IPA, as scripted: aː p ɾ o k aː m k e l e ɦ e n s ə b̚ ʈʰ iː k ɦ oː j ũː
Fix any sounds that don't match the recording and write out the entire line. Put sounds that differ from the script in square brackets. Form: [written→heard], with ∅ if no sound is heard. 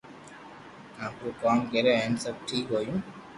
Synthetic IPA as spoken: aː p ɾ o k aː m k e [l→ɾ] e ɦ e n s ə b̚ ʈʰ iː k ɦ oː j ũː